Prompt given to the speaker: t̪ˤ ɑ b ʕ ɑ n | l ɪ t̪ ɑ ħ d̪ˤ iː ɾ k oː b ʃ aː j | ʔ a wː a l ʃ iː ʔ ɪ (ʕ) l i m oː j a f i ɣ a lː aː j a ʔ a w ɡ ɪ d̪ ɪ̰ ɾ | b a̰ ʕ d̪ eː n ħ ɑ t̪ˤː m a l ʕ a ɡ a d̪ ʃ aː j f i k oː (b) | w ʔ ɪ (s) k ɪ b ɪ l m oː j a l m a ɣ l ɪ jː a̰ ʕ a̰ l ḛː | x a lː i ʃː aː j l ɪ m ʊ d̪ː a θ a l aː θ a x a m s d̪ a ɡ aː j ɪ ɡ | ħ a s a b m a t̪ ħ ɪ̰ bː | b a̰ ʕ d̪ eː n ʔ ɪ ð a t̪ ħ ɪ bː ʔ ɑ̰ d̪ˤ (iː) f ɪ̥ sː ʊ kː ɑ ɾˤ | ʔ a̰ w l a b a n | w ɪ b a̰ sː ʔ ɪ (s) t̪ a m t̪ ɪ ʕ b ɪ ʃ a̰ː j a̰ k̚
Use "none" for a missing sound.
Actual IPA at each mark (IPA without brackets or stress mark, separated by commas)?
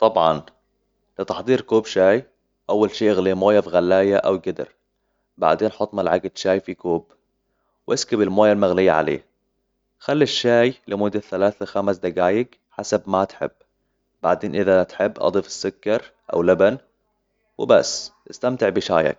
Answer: ɣ, b, s, iː, s